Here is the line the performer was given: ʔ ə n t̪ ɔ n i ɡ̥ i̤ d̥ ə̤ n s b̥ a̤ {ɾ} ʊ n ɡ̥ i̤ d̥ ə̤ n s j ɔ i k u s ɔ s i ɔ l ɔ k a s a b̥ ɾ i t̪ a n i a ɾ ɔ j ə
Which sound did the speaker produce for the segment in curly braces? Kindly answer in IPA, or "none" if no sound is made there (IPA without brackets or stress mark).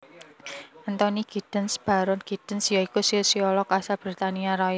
ɾ